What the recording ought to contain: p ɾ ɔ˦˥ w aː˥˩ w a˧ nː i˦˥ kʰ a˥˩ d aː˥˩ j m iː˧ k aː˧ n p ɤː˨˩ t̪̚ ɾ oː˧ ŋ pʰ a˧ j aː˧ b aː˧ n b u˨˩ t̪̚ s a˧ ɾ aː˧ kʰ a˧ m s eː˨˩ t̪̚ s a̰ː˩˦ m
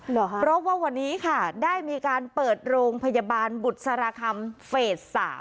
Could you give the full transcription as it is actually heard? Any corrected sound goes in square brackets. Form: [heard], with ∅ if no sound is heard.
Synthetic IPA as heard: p ɾ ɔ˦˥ w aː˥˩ w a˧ nː [iː˦˥] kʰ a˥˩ d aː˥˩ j m iː˧ k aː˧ n p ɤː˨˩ t̪̚ ɾ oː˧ ŋ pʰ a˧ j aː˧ b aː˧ n b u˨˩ t̪̚ s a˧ ɾ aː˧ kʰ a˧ m [f] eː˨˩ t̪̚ s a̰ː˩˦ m